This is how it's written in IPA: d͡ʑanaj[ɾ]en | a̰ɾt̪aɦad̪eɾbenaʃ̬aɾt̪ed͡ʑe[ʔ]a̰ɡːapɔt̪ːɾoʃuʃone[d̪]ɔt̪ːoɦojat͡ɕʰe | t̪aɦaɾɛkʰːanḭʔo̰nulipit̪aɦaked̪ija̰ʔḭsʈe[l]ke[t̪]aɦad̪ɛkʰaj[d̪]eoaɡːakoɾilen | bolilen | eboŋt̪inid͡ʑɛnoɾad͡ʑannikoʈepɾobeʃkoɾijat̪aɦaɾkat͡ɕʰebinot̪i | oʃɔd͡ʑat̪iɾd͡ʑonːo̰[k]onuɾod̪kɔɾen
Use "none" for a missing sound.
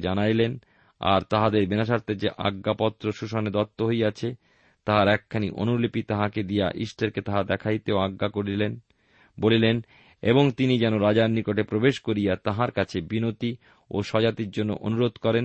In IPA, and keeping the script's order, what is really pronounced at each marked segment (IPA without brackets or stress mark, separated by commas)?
l, ʔ, d̪, ɾ, t̪, t̪, ʔ